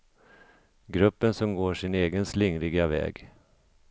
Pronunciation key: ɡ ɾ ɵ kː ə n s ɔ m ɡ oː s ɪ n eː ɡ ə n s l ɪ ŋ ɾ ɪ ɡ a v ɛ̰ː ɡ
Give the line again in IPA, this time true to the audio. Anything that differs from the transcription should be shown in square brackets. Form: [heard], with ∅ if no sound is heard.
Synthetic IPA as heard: ɡ ɾ ɵ [pː] ə n s ɔ m ɡ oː [ʂ] ɪ n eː ɡ ə n s l ɪ ŋ ɾ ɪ ɡ a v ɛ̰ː ɡ

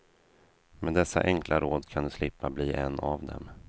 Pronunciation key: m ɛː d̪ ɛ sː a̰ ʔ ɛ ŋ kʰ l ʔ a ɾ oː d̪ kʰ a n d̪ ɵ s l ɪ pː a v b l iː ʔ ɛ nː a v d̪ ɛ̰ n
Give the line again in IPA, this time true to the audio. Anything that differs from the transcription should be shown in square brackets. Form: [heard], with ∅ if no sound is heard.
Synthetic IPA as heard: m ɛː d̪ ɛ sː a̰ ʔ ɛ ŋ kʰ l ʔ a ɾ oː d̪ kʰ a n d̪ ɵ s l ɪ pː a [∅] b l iː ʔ ɛ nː a v d̪ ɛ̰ [m]

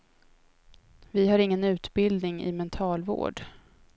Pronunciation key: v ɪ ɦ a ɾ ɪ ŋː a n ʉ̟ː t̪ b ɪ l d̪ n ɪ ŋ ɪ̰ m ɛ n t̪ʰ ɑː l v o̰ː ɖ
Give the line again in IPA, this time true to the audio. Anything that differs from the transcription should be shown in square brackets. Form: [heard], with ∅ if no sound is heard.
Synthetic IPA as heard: v ɪ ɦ a ɾ ɪ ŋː [ə] n ʉ̟ː t̪ b ɪ l d̪ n ɪ ŋ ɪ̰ m ɛ n t̪ʰ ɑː l v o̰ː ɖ

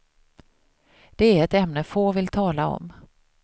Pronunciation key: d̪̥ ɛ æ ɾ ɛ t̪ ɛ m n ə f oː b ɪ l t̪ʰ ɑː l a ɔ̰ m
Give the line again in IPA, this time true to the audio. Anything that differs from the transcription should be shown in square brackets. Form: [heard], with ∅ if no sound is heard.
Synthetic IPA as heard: d̪̥ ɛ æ ɾ ɛ t̪ ɛ m n ə f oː [v] ɪ l t̪ʰ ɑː l a ɔ̰ m

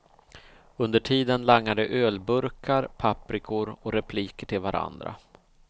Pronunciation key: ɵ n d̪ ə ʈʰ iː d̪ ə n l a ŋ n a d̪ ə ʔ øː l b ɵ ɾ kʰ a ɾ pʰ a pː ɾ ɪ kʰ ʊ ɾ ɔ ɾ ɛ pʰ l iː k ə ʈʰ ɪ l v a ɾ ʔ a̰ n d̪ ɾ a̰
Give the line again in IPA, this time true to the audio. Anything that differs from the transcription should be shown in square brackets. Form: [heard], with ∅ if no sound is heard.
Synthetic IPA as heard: ɵ n d̪ ə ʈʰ iː d̪ ə n l a ŋ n a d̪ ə ʔ øː l b ɵ ɾ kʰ a ɾ pʰ a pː ɾ ɪ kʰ ʊ ɾ ɔ ɾ ɛ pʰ l iː k ə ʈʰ ɪ l v a ɾ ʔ a̰ n d̪ ɾ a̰

